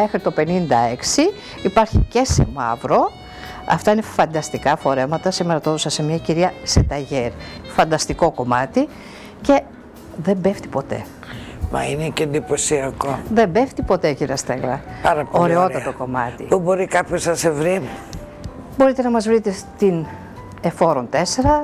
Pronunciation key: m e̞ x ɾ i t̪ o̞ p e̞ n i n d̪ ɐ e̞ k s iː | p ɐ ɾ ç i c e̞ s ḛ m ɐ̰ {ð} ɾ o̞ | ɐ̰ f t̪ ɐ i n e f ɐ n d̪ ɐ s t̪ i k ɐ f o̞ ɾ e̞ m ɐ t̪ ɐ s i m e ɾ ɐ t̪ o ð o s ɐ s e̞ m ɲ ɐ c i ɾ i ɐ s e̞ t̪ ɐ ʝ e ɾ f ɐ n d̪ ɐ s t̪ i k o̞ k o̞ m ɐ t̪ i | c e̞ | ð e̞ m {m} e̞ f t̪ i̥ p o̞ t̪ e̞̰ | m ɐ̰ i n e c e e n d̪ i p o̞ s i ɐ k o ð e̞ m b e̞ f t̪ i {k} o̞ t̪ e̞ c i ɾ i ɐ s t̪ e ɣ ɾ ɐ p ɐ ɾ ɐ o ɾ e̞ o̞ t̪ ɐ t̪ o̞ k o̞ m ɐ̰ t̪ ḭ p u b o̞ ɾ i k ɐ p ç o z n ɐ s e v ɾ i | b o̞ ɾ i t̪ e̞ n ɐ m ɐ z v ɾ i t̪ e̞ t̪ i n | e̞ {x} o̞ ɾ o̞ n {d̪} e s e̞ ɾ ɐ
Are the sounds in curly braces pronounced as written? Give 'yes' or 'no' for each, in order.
no, no, no, no, no

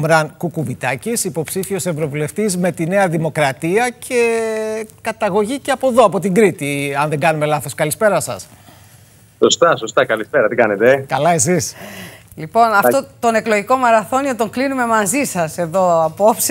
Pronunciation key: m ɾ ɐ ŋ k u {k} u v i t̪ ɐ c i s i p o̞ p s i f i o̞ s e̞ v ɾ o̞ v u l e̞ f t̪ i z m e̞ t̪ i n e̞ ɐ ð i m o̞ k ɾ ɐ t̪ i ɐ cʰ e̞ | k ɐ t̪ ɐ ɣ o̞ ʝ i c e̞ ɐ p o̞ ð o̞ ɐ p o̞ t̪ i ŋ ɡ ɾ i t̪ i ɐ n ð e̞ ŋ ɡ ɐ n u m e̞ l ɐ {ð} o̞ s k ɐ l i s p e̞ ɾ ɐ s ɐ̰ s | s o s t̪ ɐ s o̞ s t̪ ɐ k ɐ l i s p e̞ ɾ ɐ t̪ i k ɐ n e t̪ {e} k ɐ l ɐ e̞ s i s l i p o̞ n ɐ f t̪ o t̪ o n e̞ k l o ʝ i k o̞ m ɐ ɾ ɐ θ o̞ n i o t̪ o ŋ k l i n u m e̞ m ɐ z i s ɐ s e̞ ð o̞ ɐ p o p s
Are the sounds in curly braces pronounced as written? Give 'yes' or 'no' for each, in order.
yes, no, yes

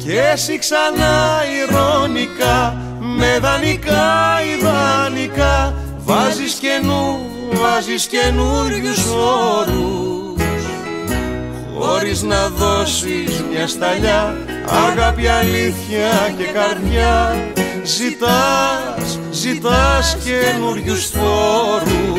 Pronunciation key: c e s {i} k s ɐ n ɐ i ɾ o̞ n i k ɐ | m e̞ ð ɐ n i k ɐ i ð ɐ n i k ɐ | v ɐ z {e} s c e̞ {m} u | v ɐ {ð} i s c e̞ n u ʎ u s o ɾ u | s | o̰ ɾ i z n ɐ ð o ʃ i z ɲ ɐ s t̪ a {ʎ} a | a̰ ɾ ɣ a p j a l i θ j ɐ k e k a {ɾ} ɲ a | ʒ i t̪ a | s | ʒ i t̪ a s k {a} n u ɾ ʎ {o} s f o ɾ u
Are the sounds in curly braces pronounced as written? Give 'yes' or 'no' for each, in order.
yes, no, no, no, yes, yes, no, no

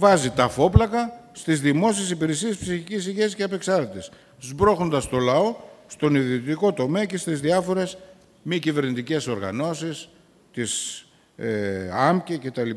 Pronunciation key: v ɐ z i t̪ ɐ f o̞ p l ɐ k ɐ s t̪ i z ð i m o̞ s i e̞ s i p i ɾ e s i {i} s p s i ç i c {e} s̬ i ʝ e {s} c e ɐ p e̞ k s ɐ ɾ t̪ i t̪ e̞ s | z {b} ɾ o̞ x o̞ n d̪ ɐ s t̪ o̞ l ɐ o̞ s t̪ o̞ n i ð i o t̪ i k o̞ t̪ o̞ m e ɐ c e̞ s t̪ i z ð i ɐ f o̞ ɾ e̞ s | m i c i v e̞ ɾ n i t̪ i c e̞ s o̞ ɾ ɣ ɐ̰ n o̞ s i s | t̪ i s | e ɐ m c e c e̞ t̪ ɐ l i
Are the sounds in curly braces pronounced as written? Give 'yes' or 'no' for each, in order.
no, no, yes, yes

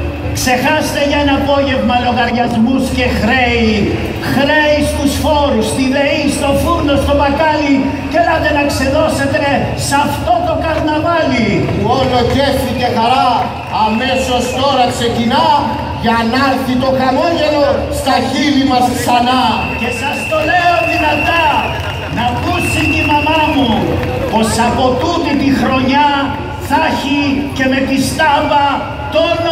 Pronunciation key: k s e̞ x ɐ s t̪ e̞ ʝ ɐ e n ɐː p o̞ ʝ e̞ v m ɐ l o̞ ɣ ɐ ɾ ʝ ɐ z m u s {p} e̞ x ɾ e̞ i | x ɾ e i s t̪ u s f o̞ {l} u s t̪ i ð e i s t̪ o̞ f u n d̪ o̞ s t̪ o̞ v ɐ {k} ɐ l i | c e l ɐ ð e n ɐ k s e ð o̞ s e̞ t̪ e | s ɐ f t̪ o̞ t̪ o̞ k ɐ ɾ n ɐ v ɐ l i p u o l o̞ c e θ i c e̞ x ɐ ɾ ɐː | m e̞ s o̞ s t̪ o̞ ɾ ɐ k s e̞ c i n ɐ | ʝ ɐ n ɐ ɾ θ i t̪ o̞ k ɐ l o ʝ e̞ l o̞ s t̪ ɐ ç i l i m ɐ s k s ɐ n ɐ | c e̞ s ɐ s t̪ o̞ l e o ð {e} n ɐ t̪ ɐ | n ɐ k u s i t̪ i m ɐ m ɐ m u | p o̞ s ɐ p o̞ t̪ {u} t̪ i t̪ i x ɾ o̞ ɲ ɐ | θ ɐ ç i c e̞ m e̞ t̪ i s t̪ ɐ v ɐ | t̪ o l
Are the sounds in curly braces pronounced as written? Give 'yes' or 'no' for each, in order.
no, no, yes, no, yes

